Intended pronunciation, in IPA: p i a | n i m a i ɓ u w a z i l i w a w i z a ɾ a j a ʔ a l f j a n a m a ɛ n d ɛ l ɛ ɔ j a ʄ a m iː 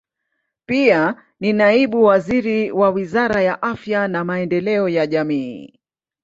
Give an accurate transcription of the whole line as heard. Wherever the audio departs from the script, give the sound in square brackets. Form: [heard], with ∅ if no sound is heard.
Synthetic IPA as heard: p i a | n i [n] a i ɓ u w a z i [ɾ] i w a w i z a ɾ a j a ʔ a [∅] f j a n a m a ɛ n d ɛ l ɛ ɔ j a ʄ a m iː